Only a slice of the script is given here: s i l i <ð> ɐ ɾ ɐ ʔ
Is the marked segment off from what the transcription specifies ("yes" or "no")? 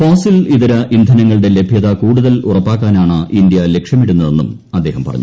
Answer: no